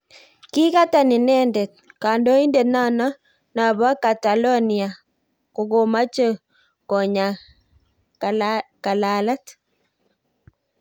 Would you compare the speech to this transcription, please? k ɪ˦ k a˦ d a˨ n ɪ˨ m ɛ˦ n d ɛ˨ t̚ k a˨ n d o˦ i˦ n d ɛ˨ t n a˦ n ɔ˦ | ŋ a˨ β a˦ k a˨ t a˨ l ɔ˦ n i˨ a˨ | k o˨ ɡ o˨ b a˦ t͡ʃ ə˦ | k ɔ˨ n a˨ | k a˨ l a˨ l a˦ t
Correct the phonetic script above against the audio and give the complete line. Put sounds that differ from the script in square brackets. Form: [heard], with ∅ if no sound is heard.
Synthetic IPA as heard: k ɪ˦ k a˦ [t] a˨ n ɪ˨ [n] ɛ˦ n d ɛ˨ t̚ k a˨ n d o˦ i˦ n d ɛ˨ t n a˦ n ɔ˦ | [n] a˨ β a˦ k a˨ t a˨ l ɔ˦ n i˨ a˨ | k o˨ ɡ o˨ [m] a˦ t͡ʃ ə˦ | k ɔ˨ [ɲ] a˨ | k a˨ l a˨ l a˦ t